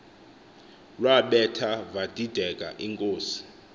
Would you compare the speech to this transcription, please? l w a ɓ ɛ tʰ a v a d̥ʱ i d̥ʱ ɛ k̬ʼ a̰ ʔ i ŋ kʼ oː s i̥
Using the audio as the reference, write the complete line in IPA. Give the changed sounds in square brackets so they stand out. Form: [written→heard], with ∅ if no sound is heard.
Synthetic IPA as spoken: l w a ɓ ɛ tʰ a v a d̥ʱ i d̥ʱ ɛ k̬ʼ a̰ ʔ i ŋ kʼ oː s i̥

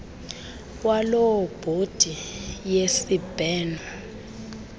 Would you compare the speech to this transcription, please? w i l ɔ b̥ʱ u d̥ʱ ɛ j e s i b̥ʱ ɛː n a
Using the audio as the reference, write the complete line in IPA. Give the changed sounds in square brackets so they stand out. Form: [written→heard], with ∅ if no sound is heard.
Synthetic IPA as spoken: w [i→a] l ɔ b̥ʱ [u→o] d̥ʱ [ɛ→i] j e s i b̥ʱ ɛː n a

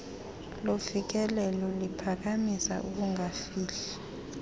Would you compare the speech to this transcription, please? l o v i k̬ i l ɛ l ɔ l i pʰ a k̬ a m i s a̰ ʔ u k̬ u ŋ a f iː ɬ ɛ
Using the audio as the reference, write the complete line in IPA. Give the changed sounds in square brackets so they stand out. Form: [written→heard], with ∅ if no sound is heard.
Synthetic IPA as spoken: l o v i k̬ [i→ɛ] l ɛ l ɔ l i pʰ a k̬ a m i s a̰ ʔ u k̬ u ŋ a f iː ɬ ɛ

